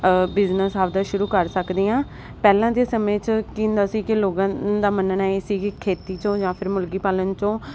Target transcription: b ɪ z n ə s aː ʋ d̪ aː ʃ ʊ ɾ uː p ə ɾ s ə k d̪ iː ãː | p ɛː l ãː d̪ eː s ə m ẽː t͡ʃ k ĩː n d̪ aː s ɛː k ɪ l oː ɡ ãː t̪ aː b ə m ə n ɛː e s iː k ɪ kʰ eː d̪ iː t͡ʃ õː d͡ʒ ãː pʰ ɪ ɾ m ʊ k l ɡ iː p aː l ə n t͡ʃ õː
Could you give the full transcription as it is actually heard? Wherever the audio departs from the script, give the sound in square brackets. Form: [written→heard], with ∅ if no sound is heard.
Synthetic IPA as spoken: b ɪ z n ə s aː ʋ d̪ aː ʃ ʊ ɾ uː [p→k] ə ɾ s ə k d̪ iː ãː | p ɛː l ãː d̪ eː s ə m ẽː t͡ʃ k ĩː n d̪ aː s [ɛː→iː] k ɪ l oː ɡ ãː [t̪→d̪] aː [b→m] ə [m→n] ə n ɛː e s iː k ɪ kʰ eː [d̪→t̪] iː t͡ʃ õː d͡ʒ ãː pʰ ɪ ɾ m ʊ [k→∅] l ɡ iː p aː l ə n t͡ʃ õː